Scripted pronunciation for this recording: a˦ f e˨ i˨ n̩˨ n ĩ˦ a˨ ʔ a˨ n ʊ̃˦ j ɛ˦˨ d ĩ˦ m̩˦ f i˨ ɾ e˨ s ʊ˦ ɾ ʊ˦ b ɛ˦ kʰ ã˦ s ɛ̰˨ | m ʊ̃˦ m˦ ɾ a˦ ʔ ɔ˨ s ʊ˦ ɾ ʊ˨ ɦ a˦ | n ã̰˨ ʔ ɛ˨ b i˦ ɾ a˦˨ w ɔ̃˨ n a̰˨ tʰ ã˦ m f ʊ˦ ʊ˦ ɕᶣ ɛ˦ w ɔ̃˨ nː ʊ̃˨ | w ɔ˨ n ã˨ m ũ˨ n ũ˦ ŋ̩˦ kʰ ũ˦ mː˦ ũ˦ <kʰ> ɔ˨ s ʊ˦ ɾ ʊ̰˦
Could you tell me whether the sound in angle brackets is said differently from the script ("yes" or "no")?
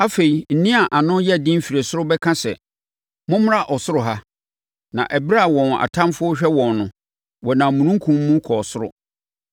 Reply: no